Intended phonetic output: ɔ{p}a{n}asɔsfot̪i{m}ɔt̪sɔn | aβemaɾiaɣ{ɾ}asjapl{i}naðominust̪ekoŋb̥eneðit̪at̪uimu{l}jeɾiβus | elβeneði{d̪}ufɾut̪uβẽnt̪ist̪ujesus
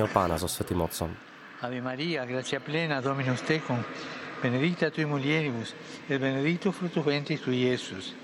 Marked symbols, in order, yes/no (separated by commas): yes, yes, yes, yes, no, yes, no